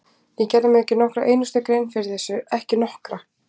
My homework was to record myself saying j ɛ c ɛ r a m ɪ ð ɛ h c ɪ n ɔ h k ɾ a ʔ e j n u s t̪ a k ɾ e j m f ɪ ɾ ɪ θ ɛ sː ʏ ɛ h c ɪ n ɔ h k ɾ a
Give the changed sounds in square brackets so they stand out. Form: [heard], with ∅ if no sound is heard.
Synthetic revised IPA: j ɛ c ɛ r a m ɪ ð ɛ h c ɪ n ɔ h k ɾ a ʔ e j n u s t̪ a k ɾ e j [n] f ɪ ɾ ɪ θ ɛ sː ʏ ɛ h c ɪ n ɔ h k ɾ a